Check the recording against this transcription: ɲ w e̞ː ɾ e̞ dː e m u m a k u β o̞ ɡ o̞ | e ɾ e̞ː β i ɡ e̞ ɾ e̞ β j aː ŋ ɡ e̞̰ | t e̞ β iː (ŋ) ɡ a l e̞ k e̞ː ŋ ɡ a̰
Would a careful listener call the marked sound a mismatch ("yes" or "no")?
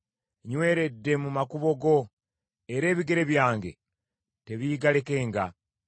yes